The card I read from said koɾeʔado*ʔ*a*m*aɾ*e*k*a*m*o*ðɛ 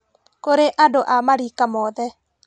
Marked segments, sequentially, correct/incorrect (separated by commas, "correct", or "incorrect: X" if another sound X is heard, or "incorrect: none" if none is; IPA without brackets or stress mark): correct, correct, incorrect: i, correct, incorrect: ɔ